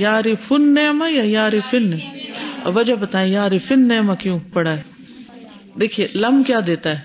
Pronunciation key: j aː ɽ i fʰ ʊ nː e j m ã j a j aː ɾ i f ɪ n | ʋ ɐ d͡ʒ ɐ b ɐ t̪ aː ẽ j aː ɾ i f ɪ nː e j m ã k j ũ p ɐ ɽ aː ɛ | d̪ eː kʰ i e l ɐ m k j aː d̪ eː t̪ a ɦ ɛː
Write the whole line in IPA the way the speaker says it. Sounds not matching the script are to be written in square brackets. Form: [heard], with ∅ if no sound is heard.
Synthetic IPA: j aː [ɾ] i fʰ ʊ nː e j m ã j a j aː ɾ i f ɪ n | ʋ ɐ d͡ʒ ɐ b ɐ t̪ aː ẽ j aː ɾ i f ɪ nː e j m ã k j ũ p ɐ ɽ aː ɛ | d̪ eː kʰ i e l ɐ m k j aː d̪ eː t̪ a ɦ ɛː